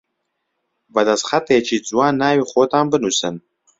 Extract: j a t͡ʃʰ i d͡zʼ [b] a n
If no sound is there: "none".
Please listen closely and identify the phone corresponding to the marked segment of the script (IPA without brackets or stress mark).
w